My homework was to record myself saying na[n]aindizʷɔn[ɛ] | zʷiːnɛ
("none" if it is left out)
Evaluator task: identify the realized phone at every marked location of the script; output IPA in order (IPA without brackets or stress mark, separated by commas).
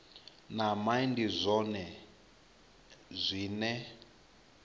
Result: m, ɛ